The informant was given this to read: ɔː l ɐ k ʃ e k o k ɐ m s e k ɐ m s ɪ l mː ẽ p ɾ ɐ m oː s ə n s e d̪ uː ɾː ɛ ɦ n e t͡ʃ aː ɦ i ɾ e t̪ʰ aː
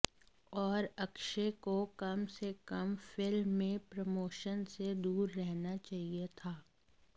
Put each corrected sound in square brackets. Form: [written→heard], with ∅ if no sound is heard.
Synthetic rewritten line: ɔː [l→ɾ] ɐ k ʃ e k o k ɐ m s e k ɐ m [s→f] ɪ l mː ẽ p ɾ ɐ m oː [s→ʃ] ə n s e d̪ uː ɾː ɛ ɦ n [e→a] t͡ʃ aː ɦ i [ɾ→∅] e t̪ʰ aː